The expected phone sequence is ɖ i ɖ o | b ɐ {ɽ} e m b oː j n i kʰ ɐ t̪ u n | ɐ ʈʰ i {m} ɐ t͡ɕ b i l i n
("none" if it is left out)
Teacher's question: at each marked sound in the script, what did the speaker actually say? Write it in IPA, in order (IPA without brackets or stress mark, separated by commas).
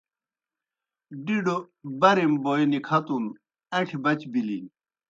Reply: ɾ, b